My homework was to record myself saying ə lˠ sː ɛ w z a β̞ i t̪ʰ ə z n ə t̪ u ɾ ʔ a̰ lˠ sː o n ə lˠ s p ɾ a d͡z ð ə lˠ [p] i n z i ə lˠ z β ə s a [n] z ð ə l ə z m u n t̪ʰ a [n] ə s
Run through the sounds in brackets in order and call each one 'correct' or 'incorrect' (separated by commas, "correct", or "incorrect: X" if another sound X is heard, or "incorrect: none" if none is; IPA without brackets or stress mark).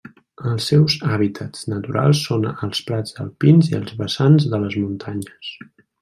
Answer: correct, correct, incorrect: ɲ